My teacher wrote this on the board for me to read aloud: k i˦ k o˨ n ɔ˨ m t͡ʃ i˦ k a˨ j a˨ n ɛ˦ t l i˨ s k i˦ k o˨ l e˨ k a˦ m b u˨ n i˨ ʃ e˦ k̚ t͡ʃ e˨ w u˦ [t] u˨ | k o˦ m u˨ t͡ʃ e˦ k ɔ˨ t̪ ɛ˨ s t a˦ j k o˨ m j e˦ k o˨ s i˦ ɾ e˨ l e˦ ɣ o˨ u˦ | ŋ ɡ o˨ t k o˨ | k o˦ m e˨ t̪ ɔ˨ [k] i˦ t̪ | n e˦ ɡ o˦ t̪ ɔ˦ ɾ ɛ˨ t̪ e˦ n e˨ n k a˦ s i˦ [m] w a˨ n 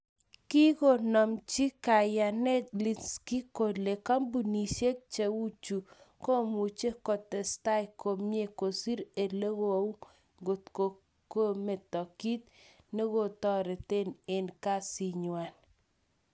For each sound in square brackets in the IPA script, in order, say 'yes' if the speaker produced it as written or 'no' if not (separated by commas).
no, yes, no